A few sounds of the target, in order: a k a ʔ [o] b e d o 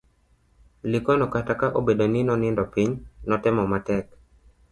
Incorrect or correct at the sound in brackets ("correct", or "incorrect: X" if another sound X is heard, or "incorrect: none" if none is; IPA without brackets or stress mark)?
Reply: correct